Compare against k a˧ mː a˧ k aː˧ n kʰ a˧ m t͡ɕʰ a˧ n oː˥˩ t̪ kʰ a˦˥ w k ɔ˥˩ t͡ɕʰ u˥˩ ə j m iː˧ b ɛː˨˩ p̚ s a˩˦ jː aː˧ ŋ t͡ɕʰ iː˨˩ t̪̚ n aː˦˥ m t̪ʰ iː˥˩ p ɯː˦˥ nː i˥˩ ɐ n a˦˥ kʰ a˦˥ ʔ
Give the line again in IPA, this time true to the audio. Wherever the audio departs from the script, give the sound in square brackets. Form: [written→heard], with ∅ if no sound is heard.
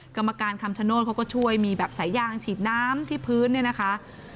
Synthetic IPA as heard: k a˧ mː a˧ k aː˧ n kʰ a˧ m t͡ɕʰ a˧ n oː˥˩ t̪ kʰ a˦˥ w k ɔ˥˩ t͡ɕʰ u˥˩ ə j m iː˧ b ɛː˨˩ p̚ s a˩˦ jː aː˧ ŋ t͡ɕʰ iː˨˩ t̪̚ n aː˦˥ m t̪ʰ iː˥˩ [p→pʰ] ɯː˦˥ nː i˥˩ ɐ n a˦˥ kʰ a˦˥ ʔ